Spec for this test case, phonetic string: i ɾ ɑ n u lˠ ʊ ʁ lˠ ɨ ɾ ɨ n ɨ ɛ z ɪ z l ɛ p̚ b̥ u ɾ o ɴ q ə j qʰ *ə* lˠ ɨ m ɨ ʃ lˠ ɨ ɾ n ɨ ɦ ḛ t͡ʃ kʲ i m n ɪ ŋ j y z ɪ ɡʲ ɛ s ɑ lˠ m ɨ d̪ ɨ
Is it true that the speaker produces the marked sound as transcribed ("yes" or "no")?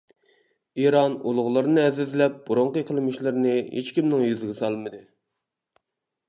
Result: yes